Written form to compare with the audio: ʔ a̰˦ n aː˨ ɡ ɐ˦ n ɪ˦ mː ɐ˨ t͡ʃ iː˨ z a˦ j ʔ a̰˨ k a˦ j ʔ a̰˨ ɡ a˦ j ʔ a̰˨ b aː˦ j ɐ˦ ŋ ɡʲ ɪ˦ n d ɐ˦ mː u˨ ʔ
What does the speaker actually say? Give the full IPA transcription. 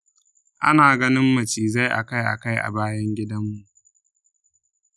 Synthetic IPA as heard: ʔ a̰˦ n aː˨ ɡ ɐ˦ n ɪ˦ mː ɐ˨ t͡ʃ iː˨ z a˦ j ʔ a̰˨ k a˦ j ʔ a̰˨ k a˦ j ʔ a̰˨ b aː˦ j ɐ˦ ŋ ɡʲ ɪ˦ d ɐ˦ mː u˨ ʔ

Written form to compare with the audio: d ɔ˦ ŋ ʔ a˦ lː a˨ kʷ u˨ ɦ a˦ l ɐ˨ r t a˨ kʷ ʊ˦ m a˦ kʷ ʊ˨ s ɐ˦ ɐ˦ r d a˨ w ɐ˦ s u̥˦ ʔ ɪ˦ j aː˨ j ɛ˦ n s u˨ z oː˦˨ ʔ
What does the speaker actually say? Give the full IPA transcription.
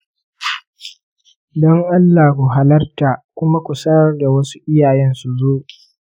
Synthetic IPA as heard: d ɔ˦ ŋ ʔ a˦ lː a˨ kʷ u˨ ɦ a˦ l ɐ˦ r t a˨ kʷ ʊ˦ m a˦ kʷ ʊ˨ s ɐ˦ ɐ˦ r d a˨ w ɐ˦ s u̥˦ ʔ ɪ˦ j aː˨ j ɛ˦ n s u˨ z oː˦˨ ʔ

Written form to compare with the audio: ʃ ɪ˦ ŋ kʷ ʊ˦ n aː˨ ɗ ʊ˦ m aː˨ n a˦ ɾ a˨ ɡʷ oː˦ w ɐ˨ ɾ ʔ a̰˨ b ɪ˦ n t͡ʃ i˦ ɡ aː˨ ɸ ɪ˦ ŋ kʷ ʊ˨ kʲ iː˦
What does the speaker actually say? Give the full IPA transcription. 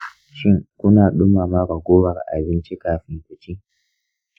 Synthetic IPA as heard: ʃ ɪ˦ ŋ kʷ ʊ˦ n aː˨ ɗ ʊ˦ m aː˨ m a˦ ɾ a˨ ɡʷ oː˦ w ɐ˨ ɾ ʔ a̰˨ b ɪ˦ n t͡ʃ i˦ k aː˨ ɸ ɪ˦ ŋ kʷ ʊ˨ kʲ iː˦

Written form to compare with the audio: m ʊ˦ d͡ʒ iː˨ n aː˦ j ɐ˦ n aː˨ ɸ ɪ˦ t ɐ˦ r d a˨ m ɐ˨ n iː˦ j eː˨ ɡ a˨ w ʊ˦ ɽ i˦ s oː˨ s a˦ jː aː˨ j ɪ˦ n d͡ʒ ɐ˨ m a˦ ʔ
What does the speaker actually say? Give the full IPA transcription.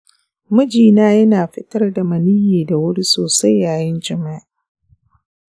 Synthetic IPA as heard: m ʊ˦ d͡ʒ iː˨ n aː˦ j ɐ˦ n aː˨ ɸ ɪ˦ t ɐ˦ r d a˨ m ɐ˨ n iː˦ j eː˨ d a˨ w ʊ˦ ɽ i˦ s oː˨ s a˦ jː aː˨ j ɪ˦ n d͡ʒ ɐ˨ m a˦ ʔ

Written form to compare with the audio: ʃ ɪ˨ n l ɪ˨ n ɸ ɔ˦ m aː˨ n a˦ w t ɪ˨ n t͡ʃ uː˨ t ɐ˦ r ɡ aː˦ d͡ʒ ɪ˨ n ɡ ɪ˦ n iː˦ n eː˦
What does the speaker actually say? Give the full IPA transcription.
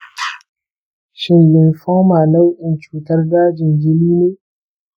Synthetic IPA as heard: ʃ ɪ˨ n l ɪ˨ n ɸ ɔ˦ m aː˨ n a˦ w ʔ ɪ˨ n t͡ʃ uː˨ t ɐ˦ r d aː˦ d͡ʒ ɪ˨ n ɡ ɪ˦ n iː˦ n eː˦

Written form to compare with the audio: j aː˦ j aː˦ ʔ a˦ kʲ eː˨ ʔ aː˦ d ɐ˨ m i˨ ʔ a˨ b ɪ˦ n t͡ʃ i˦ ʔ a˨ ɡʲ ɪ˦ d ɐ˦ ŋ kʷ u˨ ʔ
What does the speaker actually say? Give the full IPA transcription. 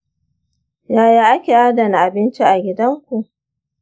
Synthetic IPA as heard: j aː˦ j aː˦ ʔ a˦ kʲ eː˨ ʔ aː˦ d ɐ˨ n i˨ ʔ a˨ b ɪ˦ n t͡ʃ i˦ ʔ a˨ ɡʲ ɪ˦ d ɐ˦ ŋ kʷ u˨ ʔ

